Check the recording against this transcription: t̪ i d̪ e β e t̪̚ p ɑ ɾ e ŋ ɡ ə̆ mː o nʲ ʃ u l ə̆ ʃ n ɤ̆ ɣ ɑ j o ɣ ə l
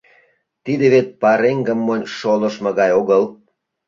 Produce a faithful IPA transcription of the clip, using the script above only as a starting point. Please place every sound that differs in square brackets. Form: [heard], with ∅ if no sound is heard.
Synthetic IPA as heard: t̪ i d̪ e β e t̪̚ p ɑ ɾ e ŋ ɡ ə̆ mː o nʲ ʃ [o] l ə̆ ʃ [m] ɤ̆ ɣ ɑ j o ɣ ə l